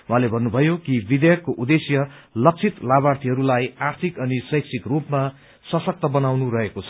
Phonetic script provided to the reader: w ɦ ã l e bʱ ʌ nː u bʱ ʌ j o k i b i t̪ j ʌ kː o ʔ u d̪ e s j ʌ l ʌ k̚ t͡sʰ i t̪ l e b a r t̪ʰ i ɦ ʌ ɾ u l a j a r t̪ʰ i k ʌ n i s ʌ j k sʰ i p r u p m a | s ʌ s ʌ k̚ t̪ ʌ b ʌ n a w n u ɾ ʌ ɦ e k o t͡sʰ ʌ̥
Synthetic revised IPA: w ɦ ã l e bʱ ʌ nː u bʱ ʌ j o k i b i d̪ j ʌ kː o ʔ u d̪ e s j ʌ l ʌ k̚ t͡sʰ i t̪ l a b a r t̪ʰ i ɦ ʌ ɾ u l a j a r t̪ʰ i k ʌ n i s ʌ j k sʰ i k r u p m a | s ʌ s ʌ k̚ t̪ ʌ b ʌ n a w n u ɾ ʌ ɦ e k o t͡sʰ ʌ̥